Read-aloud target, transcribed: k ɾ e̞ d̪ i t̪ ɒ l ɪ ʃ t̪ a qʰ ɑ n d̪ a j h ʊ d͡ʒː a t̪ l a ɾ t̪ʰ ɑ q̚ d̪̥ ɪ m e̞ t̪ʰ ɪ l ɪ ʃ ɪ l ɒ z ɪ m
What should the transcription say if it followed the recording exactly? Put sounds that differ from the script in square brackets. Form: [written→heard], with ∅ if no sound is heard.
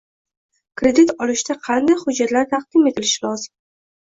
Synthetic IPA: k ɾ e̞ d̪ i t̪ ɒ l ɪ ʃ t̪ a qʰ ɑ n d̪ a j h ʊ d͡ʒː a t̪ l a ɾ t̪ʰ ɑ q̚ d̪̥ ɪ m e̞ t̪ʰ ɪ l ɪ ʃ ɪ l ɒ z ɪ m